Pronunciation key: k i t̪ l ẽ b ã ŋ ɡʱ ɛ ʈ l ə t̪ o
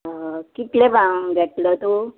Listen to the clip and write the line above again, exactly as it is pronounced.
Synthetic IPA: k i t̪ l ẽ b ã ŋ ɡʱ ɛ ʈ l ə t̪ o